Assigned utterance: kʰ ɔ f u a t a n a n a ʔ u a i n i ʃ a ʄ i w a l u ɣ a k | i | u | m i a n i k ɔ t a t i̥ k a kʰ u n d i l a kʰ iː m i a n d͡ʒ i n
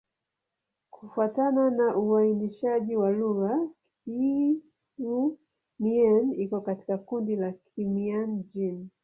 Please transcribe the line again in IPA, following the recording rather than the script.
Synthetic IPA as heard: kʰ u f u a t a n a n a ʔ u a i n i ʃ a ʄ i w a l u ɣ a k | i | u | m i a n i k ɔ k a t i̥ k a k u n d i l a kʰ i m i a n d͡ʒ i n